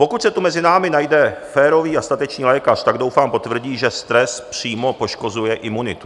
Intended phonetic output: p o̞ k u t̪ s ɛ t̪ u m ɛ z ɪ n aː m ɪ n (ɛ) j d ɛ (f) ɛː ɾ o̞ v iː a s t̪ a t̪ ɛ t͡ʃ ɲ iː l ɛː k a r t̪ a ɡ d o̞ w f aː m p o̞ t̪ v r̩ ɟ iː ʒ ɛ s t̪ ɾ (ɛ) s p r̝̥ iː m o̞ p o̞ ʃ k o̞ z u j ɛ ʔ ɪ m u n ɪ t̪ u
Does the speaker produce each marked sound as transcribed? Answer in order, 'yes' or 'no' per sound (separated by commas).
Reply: no, yes, yes